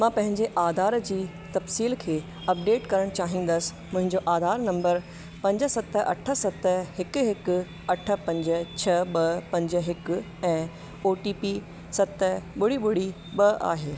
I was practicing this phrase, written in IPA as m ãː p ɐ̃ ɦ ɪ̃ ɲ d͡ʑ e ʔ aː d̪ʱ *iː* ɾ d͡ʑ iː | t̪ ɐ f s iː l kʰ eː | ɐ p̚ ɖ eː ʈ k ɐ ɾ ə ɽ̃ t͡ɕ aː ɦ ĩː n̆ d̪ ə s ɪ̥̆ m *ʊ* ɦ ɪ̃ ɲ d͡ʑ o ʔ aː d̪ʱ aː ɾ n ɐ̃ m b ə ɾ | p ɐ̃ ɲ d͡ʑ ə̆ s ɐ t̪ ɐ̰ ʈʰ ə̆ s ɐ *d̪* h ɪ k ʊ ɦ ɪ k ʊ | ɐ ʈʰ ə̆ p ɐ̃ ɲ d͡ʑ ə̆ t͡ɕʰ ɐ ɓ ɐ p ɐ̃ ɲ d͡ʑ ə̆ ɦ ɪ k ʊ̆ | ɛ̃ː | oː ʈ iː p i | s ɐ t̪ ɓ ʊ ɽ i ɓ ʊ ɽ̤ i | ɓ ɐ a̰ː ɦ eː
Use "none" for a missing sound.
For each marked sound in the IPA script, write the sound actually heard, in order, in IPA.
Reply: aː, ʊ̃, t̪

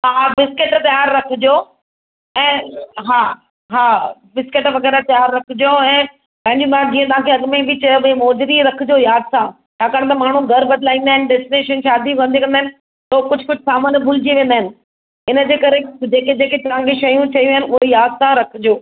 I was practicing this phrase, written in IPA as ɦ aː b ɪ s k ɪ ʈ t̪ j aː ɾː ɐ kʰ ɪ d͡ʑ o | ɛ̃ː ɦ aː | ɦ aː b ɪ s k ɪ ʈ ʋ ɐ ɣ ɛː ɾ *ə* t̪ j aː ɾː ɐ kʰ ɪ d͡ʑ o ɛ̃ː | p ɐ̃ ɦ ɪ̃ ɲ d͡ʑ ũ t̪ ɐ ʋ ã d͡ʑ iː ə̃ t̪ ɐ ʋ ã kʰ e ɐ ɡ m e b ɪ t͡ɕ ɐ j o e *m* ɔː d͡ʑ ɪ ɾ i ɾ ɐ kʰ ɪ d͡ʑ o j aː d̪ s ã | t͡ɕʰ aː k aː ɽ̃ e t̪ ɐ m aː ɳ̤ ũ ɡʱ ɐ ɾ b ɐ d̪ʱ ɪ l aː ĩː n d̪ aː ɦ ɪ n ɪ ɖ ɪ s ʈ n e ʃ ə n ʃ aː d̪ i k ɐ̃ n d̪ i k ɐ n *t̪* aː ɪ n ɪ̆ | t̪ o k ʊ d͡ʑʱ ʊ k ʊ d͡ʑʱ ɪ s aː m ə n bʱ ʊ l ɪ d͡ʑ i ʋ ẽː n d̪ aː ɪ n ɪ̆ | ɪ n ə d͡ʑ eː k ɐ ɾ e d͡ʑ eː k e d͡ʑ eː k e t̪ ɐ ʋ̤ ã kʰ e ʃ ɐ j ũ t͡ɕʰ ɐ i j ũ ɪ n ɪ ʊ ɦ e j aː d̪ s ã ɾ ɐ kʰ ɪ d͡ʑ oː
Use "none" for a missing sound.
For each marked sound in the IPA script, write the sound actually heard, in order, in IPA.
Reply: a, m, d̪

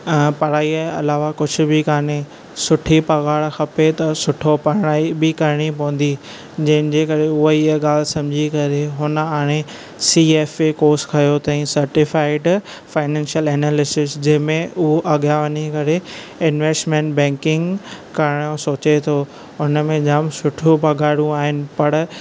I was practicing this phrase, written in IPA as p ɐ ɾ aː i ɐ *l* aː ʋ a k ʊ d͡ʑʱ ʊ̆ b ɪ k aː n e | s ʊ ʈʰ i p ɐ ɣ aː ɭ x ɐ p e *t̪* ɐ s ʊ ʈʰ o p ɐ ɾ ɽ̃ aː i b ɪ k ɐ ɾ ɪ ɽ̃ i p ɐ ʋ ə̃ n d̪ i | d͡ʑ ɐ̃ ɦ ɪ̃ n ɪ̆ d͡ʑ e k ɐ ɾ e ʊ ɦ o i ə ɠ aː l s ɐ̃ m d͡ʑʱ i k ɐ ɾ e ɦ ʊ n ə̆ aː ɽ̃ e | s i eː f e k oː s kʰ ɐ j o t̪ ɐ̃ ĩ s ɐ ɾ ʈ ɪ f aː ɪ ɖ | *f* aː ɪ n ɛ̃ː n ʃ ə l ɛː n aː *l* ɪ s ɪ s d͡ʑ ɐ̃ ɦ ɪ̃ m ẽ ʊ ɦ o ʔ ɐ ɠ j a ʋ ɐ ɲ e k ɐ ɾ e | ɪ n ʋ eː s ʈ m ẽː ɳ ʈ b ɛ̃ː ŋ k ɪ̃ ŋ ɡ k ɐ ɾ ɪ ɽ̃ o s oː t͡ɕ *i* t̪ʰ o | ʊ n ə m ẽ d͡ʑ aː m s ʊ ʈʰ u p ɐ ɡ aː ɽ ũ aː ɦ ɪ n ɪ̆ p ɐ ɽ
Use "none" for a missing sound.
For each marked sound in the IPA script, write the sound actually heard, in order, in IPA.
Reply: l, t̪, f, l, e

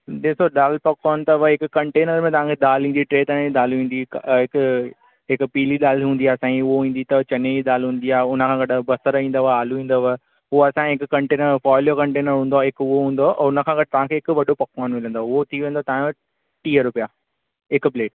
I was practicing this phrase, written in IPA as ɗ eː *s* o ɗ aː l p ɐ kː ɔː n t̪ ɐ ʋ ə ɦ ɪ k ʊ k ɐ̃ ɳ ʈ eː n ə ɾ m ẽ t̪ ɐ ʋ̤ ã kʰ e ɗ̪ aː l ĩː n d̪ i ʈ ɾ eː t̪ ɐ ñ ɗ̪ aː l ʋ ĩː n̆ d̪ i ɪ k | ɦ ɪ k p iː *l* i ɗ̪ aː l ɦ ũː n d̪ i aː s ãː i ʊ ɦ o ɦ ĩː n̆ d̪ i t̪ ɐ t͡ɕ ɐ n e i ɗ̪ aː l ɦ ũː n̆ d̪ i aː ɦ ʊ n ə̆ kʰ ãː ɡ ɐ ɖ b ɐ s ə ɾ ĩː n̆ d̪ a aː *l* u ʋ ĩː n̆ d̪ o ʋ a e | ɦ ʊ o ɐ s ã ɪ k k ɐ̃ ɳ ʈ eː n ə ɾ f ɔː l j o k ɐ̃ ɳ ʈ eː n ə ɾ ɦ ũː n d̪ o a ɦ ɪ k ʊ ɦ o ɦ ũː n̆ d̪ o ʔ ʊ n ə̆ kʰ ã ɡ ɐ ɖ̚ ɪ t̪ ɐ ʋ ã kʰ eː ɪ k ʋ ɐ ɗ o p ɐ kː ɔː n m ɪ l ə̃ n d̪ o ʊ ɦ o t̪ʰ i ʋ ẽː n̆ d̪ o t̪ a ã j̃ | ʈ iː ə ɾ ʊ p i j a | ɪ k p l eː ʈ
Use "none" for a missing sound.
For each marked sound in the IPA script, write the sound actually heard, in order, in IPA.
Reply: s, l, l

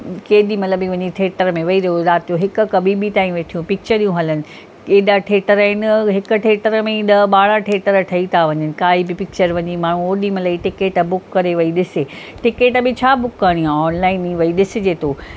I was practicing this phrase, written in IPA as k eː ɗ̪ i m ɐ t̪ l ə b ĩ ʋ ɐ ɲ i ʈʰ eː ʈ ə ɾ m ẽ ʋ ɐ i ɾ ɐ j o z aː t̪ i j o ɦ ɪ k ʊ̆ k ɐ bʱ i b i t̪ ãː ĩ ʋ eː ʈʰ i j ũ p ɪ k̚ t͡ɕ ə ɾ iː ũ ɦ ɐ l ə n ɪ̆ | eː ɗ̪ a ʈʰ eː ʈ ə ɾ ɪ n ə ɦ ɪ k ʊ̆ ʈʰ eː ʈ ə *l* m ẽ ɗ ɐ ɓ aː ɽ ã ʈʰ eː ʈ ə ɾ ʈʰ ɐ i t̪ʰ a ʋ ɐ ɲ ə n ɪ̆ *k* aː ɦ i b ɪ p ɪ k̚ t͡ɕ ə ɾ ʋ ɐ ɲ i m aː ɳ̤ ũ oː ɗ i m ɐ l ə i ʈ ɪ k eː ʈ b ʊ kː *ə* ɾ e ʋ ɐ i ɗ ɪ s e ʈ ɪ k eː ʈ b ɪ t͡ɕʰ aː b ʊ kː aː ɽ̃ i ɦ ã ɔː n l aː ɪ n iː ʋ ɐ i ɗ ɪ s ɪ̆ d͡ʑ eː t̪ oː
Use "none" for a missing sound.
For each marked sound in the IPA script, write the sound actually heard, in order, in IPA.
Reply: ɾ, k, ɐ

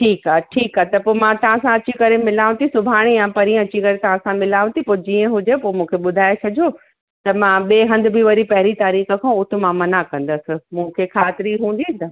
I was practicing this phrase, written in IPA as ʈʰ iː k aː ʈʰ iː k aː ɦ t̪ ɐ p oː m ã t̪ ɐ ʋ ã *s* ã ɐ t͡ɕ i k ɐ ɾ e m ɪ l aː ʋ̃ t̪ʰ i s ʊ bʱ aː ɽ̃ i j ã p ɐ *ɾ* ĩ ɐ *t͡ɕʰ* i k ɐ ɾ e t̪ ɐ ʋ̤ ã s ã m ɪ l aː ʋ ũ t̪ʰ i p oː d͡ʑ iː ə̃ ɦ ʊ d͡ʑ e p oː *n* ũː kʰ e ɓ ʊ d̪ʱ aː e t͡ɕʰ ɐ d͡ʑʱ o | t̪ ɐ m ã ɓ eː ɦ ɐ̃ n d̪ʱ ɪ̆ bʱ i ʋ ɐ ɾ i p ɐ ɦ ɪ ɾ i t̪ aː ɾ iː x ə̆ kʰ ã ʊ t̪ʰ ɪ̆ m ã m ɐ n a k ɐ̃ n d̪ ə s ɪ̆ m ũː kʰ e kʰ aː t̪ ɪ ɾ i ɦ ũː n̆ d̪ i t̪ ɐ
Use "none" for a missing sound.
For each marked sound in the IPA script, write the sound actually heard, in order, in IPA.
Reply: s, ɾ, t͡ɕ, m

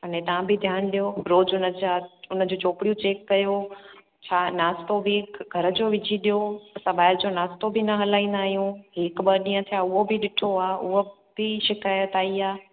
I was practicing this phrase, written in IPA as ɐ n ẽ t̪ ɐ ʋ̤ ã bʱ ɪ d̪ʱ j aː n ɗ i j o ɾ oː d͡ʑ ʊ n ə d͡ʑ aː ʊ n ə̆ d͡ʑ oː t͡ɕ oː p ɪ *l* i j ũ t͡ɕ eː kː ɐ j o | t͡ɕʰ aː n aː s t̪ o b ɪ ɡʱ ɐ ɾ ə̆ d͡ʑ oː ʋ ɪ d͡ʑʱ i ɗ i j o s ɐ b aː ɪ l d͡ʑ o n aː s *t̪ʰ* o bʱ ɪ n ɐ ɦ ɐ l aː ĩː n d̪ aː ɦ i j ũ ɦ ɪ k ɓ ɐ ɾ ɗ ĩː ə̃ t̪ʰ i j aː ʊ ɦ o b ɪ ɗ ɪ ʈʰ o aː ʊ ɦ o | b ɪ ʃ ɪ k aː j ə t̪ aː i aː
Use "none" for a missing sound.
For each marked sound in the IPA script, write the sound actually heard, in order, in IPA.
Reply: ɽ, t̪

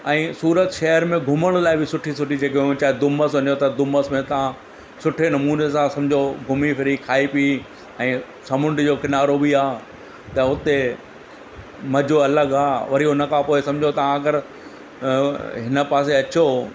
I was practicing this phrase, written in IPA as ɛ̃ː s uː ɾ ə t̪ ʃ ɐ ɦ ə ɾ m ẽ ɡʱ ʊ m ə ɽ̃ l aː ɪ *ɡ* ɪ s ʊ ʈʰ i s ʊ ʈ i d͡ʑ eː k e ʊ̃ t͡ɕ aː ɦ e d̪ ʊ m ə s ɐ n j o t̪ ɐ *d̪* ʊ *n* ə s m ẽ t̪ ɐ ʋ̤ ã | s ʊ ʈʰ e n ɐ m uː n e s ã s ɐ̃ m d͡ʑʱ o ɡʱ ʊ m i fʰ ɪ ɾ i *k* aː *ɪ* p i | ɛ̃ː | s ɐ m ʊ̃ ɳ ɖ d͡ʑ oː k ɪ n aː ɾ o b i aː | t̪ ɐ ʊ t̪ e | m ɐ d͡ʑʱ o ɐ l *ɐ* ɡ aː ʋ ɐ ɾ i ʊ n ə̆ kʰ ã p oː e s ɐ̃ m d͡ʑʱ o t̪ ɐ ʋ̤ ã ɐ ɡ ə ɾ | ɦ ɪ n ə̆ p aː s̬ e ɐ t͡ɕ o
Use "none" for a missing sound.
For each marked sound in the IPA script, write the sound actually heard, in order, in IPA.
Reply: b, d̪, m, kʰ, i, ə

